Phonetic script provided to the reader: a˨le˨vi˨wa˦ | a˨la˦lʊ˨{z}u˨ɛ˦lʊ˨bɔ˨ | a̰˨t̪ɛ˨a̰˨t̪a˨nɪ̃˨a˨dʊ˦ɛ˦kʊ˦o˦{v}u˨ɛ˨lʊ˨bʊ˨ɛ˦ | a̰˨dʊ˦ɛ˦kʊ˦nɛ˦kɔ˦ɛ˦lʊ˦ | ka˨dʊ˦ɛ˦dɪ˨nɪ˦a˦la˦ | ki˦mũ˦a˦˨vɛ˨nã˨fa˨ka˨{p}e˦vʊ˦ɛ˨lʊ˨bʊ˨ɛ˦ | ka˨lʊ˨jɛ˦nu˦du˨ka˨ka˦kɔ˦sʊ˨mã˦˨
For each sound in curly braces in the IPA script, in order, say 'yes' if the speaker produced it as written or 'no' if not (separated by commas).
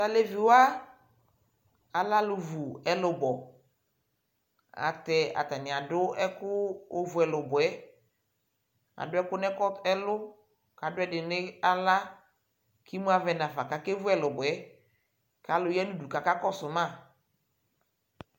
no, yes, no